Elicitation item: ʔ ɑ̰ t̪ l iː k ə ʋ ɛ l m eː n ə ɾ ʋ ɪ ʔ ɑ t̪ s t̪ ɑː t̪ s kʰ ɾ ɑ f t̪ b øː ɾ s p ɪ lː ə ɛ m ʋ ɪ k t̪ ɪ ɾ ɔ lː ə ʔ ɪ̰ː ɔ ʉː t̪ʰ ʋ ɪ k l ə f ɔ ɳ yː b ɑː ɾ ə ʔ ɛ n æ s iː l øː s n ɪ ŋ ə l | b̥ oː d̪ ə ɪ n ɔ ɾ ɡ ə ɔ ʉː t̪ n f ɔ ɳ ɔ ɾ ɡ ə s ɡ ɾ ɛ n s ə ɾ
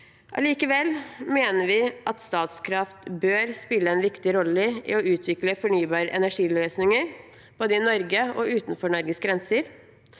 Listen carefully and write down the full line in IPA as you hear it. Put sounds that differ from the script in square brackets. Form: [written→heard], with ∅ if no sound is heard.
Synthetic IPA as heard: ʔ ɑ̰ [t̪→∅] l iː k ə ʋ ɛ l m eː n ə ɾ ʋ ɪ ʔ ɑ t̪ s t̪ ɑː t̪ s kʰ ɾ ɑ f t̪ b øː ɾ s p ɪ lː ə ɛ [m→n] ʋ ɪ k t̪ ɪ ɾ ɔ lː ə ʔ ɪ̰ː ɔ ʉː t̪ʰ ʋ ɪ k l ə f ɔ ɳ yː b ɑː ɾ ə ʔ ɛ n æ [s→ʂ] iː l øː s n ɪ ŋ ə [l→ɾ] | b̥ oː d̪ ə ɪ n ɔ ɾ ɡ ə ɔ ʉː t̪ n f ɔ ɳ ɔ ɾ ɡ ə s ɡ ɾ ɛ n s ə ɾ